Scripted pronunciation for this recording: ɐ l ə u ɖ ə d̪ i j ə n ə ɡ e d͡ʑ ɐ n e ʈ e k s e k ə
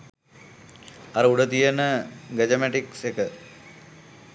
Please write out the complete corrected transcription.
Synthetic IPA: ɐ ɾ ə u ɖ ə t̪ i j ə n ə ɡ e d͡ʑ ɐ m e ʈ i k s e k ə